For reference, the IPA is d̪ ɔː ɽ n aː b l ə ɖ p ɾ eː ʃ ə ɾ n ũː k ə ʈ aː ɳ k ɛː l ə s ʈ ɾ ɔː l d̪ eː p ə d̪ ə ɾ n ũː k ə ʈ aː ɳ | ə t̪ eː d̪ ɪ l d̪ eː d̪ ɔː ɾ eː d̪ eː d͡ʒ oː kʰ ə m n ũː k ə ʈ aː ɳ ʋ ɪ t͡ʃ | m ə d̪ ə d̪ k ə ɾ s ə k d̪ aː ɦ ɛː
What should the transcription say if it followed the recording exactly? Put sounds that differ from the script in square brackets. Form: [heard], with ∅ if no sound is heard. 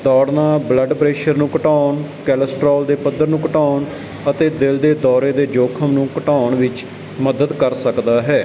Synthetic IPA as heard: d̪ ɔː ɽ n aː b l ə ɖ p ɾ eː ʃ ə ɾ n ũː k ə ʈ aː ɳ k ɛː l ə s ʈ ɾ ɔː l d̪ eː p ə d̪ ə ɾ n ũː k ə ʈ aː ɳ | ə t̪ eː d̪ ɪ l d̪ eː d̪ ɔː ɾ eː d̪ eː d͡ʒ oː kʰ ə m n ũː k ə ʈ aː ɳ ʋ ɪ t͡ʃ | m ə d̪ ə d̪ k ə ɾ s ə k d̪ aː ɦ ɛː